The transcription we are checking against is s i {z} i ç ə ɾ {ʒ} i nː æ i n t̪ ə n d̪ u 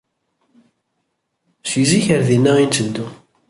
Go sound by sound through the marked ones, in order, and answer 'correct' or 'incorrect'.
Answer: correct, incorrect

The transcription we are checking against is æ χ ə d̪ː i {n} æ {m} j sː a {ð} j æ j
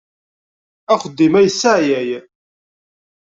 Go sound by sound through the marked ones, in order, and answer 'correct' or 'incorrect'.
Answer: incorrect, incorrect, incorrect

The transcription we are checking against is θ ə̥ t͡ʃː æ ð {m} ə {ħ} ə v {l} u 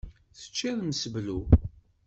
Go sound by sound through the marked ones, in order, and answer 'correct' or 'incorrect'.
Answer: correct, incorrect, correct

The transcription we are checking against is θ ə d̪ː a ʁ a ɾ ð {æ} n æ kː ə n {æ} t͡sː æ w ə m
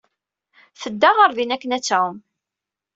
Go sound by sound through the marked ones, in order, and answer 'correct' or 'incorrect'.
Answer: incorrect, correct

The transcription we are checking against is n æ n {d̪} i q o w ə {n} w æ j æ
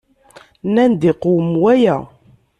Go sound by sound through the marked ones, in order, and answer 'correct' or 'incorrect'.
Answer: correct, incorrect

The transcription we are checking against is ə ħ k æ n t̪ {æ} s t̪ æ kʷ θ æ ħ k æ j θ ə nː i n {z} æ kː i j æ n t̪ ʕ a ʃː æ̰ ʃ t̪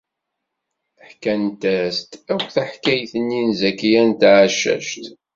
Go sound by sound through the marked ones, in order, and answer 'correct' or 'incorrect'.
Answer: correct, correct

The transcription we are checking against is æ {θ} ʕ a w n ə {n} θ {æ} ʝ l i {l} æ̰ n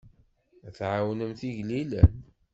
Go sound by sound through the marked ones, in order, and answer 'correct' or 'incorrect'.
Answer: correct, incorrect, incorrect, correct

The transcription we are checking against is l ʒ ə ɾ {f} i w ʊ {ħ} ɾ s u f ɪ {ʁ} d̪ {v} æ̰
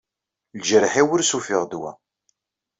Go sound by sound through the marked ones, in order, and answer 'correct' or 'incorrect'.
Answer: incorrect, incorrect, correct, incorrect

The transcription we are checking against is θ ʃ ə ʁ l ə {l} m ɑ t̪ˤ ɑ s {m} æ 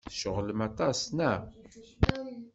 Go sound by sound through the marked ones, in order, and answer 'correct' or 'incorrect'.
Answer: incorrect, incorrect

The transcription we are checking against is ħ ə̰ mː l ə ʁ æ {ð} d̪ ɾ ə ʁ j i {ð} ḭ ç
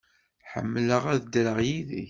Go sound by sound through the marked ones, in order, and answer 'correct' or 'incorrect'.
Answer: correct, correct

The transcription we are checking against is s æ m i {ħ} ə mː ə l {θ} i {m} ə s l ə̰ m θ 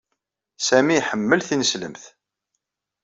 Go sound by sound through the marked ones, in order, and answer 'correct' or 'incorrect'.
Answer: correct, correct, incorrect

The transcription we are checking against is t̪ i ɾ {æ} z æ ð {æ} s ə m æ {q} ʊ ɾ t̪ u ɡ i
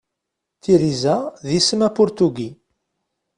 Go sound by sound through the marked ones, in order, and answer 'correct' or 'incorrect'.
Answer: incorrect, incorrect, incorrect

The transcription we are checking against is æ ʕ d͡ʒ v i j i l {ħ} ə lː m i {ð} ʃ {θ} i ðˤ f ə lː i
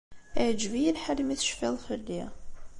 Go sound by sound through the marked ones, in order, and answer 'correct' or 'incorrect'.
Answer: correct, incorrect, incorrect

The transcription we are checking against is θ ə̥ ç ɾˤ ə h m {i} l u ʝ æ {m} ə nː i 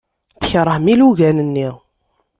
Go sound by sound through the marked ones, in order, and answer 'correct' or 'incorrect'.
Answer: correct, incorrect

